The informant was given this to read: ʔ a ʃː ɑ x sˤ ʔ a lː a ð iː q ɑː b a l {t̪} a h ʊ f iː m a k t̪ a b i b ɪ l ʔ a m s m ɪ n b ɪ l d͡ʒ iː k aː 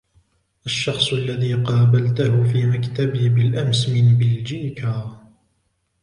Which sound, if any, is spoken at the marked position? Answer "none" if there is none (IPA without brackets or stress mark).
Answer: t̪